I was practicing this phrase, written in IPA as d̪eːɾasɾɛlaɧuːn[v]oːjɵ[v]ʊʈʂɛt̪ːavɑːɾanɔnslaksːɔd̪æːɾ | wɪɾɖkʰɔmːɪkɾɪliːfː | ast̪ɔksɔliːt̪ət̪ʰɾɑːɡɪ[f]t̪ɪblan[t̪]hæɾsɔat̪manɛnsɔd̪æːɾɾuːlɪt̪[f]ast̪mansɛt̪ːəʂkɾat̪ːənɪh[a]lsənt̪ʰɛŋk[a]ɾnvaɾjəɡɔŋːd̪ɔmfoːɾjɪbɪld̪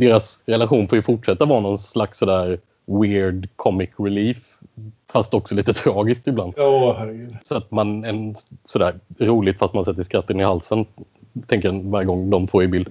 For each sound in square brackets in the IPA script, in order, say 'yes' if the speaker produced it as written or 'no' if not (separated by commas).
no, no, no, no, yes, yes, no